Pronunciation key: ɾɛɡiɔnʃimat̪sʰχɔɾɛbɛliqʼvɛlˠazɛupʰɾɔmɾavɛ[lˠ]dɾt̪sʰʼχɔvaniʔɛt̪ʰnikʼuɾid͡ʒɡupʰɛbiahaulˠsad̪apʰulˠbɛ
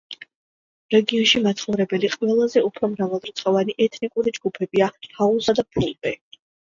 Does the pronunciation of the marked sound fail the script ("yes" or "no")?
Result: no